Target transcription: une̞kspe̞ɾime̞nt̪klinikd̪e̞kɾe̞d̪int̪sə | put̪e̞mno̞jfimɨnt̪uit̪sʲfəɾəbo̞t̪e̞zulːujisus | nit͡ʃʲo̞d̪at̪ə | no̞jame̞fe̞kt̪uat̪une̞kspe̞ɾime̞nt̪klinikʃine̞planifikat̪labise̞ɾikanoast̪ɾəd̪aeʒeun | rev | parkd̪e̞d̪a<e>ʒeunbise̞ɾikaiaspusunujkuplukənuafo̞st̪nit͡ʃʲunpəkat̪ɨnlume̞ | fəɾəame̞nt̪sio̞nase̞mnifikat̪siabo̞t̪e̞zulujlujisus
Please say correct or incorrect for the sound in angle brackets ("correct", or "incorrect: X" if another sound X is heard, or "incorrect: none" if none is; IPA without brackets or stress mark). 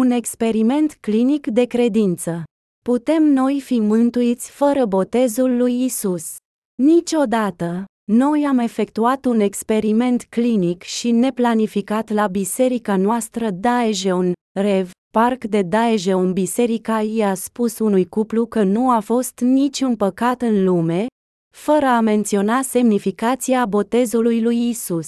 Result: correct